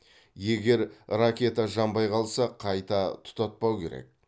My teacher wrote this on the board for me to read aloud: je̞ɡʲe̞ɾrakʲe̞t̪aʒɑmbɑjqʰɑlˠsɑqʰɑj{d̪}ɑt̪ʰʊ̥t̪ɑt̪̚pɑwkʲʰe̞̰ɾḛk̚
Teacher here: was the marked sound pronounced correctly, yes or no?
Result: no